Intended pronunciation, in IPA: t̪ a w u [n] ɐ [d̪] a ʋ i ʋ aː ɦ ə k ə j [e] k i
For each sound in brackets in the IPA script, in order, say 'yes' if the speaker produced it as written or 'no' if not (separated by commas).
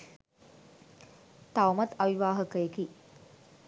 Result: no, no, yes